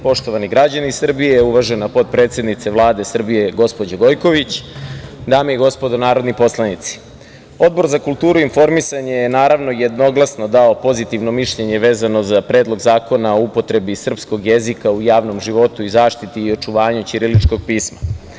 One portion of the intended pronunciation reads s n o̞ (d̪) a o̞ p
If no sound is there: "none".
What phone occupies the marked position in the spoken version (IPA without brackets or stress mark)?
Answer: d̪